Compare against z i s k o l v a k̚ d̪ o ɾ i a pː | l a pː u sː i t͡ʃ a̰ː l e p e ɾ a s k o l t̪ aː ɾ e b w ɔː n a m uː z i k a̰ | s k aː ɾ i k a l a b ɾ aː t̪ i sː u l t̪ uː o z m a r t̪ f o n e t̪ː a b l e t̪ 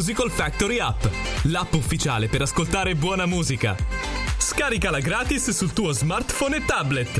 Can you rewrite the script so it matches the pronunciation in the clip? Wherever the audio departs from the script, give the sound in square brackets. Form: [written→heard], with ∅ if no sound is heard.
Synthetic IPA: z i [s→∅] k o l [v→f] a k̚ [d̪→t̪] o ɾ i a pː | l a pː u [sː→fː] i t͡ʃ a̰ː l e p e ɾ a s k o l t̪ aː ɾ e b w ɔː n a m uː z i k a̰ | s k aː ɾ i k a l a [b→ɡ] ɾ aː t̪ i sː u l t̪ uː o z m a r t̪ f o n e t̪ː a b l e t̪